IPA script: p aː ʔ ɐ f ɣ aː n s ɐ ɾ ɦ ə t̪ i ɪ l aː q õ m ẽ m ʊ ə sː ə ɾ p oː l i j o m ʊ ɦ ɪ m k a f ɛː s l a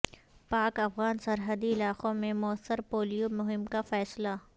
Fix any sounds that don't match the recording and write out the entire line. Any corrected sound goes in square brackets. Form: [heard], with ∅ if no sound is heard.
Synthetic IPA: p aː [k] ɐ f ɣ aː n s ɐ ɾ ɦ ə [d̪] i ɪ l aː q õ m ẽ m ʊ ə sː ə ɾ p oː l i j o m ʊ ɦ ɪ m k a f ɛː s l a